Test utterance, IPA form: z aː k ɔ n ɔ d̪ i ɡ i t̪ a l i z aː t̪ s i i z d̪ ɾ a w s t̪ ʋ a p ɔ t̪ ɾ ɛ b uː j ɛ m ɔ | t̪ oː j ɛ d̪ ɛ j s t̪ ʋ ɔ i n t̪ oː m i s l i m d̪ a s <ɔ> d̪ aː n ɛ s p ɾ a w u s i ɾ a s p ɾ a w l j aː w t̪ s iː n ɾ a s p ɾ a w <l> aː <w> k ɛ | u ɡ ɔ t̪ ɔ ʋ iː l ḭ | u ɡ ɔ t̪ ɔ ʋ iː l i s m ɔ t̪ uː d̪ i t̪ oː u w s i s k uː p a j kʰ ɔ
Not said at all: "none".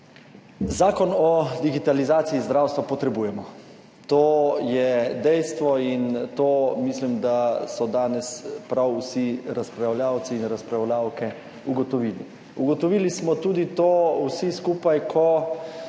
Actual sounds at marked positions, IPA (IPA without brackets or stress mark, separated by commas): ɔ, l, w